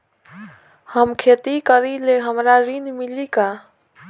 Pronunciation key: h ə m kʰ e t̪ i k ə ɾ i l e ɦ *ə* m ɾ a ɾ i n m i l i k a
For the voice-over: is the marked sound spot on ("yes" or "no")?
yes